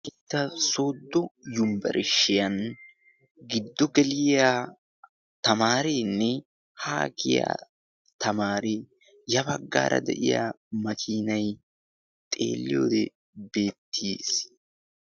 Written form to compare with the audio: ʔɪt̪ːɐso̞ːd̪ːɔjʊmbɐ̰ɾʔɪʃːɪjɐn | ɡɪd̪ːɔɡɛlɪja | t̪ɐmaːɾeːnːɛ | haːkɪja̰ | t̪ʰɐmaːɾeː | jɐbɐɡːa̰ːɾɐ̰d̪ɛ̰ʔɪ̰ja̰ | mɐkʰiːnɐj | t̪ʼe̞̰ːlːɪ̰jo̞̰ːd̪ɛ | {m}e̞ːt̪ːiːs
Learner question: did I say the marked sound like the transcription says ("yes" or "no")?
no